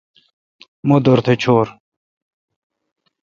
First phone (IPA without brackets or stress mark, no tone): m